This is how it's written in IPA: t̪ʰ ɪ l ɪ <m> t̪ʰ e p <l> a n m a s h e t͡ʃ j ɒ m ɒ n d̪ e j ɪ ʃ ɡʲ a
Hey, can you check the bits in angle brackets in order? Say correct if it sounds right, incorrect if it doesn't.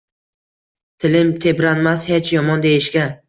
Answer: correct, incorrect: ɾ

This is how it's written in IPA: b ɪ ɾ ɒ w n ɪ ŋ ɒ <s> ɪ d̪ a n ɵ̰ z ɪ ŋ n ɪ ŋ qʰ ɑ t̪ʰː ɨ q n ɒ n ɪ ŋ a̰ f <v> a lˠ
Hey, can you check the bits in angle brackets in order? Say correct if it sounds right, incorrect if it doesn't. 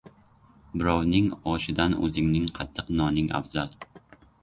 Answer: incorrect: ʃ, incorrect: z

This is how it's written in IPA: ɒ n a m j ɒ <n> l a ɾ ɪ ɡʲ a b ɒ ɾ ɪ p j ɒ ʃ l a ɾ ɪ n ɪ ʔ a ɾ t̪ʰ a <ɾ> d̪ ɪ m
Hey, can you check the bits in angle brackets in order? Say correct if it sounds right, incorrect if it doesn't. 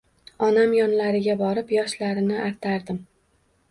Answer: correct, correct

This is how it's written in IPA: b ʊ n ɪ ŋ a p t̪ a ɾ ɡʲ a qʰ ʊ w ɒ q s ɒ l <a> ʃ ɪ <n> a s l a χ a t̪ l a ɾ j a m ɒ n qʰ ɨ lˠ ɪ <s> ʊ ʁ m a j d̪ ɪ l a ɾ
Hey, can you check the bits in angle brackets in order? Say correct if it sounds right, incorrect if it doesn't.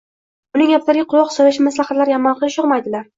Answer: correct, incorrect: m, incorrect: ʃ

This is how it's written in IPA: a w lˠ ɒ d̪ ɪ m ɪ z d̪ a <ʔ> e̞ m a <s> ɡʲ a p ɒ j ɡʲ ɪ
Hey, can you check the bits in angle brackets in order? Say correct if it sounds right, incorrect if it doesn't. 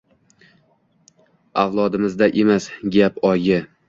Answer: correct, correct

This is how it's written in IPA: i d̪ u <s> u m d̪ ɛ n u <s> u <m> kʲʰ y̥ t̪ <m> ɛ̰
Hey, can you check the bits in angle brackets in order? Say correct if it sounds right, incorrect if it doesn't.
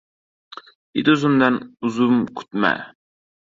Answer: incorrect: z, incorrect: z, correct, correct

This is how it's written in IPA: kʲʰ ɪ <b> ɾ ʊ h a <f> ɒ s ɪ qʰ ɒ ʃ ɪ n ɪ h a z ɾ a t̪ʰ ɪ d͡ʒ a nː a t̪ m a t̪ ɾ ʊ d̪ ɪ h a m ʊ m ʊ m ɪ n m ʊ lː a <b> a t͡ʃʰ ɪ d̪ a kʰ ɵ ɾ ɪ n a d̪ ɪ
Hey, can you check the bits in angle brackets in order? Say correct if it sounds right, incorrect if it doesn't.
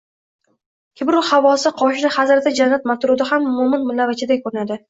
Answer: correct, incorrect: v, incorrect: v

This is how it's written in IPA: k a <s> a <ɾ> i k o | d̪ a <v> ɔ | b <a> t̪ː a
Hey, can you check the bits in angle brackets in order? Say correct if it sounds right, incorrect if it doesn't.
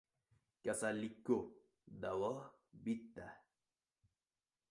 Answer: correct, incorrect: l, incorrect: w, incorrect: i

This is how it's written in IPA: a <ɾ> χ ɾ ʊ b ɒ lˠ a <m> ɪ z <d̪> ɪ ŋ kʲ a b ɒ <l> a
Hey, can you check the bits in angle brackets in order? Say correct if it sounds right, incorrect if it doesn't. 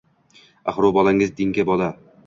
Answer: incorrect: none, incorrect: ŋ, correct, correct

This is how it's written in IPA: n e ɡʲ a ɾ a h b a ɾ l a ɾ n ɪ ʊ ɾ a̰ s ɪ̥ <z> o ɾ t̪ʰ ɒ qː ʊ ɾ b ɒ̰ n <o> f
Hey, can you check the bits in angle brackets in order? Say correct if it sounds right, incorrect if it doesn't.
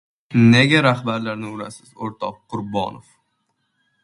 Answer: correct, correct

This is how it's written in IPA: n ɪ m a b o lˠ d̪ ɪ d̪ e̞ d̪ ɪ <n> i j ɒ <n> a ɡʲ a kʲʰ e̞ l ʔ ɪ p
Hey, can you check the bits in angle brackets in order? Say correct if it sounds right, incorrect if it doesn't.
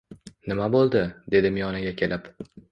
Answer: incorrect: m, correct

